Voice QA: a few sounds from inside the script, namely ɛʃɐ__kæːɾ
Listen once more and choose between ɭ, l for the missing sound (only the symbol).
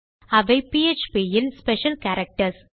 l